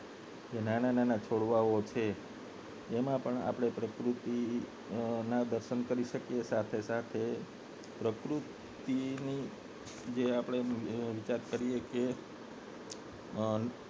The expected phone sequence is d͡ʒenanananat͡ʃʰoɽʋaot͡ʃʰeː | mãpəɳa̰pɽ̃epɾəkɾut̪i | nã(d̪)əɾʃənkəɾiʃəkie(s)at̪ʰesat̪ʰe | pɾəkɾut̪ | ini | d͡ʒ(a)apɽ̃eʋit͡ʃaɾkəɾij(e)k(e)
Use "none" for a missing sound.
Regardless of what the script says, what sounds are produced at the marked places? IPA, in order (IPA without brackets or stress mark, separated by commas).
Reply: d̪, s, e, e, e